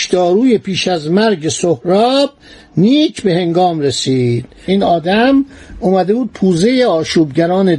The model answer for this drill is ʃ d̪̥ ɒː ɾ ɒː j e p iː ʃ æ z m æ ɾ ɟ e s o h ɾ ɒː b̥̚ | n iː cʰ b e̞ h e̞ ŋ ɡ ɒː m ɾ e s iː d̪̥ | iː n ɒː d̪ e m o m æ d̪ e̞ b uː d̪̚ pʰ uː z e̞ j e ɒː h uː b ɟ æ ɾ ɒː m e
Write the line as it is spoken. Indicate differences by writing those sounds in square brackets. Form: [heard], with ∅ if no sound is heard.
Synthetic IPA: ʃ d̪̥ ɒː ɾ [uː] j e p iː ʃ æ z m æ ɾ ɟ e s o h ɾ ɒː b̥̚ | n iː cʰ b e̞ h e̞ ŋ ɡ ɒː m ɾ e s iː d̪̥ | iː n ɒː d̪ [æ] m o m æ d̪ e̞ b uː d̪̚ pʰ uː z e̞ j e ɒː [ʃ] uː b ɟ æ ɾ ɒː [n] e